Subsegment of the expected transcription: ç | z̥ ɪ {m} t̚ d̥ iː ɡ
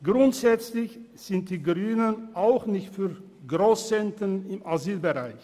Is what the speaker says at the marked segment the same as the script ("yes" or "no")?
no